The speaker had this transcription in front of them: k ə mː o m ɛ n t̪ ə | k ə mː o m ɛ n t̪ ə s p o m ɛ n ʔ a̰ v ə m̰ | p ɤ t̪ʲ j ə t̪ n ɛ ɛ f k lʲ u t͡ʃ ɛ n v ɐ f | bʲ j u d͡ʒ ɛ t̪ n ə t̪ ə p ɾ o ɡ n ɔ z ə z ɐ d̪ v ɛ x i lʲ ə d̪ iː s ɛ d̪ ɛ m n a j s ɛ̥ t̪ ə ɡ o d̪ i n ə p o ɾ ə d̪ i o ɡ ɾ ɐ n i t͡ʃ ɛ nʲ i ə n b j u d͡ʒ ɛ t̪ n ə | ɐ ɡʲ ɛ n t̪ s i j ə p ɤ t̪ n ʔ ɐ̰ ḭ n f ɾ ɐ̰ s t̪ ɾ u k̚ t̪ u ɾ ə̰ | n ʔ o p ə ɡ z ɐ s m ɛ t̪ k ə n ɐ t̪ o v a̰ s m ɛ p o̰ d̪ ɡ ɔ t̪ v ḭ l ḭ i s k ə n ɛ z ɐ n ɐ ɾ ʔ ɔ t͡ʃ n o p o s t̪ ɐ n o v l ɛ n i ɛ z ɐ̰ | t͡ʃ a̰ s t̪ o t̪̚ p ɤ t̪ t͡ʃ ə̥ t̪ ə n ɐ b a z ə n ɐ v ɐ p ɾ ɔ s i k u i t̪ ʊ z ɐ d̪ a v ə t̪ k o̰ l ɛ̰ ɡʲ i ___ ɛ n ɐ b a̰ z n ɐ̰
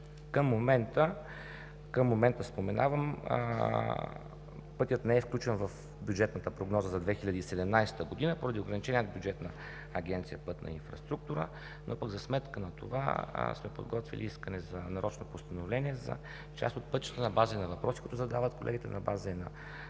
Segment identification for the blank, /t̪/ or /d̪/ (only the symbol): t̪